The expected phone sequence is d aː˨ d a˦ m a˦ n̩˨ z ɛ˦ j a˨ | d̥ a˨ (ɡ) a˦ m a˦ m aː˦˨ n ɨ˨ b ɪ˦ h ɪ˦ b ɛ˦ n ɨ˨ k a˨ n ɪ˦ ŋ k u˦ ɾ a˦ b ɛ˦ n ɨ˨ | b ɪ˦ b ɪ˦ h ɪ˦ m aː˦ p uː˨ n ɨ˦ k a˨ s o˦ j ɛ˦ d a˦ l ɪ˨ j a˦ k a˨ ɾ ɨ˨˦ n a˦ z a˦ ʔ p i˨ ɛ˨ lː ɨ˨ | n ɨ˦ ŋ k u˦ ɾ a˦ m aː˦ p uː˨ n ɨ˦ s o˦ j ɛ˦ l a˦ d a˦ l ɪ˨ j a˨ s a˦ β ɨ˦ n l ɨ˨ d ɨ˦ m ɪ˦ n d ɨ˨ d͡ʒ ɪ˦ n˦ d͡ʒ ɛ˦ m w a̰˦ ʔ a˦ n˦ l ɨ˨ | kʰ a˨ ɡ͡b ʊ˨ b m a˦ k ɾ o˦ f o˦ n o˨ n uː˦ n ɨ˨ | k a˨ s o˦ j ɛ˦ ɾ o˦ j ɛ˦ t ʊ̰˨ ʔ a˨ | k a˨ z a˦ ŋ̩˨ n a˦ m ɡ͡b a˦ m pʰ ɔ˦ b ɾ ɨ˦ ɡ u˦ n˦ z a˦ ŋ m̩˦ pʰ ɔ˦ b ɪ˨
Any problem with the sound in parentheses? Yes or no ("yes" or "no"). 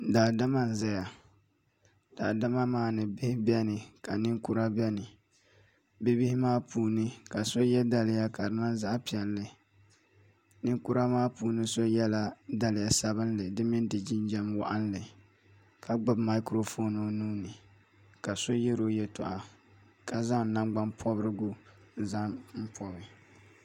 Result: yes